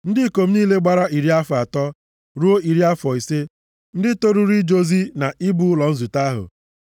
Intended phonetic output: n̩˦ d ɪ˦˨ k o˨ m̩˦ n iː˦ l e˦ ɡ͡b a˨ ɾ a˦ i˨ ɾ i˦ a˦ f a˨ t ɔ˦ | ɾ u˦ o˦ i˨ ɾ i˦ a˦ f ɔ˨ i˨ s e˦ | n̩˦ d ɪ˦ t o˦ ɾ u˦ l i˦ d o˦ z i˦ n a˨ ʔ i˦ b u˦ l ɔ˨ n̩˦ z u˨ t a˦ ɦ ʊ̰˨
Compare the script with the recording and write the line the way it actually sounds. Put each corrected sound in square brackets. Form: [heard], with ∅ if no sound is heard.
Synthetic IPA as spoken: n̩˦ d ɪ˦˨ k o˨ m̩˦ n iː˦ l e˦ ɡ͡b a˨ ɾ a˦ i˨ ɾ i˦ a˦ f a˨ t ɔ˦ | ɾ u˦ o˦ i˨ ɾ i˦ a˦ f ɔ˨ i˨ s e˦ | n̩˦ d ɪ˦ t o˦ ɾ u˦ [ɾ] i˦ [d͡ʒ] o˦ z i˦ n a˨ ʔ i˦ b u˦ l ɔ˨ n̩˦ z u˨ t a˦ ɦ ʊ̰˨